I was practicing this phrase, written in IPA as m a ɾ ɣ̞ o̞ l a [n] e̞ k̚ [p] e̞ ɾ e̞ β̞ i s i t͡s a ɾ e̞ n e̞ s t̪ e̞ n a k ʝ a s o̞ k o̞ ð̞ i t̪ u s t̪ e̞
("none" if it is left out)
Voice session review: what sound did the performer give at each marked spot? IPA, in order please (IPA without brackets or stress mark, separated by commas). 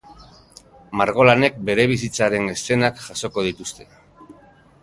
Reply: n, b